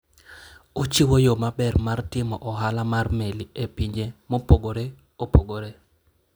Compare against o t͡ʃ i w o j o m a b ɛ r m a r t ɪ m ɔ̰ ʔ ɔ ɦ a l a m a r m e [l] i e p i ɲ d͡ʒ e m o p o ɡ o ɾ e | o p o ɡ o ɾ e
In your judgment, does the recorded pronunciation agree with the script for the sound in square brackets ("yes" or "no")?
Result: yes